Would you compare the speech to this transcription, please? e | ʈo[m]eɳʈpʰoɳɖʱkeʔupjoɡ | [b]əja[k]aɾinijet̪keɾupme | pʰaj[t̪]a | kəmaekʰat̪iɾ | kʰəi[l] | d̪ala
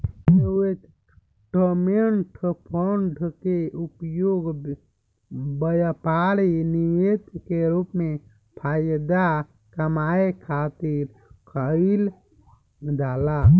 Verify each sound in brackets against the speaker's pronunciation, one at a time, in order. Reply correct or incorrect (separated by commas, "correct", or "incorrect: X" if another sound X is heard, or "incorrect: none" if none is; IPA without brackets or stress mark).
correct, correct, incorrect: p, incorrect: d̪, correct